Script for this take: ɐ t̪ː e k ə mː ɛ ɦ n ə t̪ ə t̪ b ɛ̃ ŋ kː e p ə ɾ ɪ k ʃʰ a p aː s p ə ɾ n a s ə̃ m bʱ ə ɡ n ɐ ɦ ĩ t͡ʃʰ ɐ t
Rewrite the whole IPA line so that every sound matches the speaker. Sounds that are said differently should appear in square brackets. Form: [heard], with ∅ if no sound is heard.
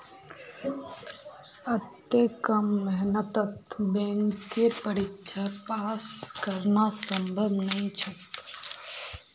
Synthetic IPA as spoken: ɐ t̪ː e k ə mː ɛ ɦ n ə t̪ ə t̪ b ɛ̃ ŋ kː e p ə ɾ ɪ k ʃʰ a p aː s [k] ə ɾ n a s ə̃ m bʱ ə [b] n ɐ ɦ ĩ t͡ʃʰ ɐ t